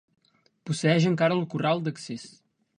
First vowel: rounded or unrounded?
rounded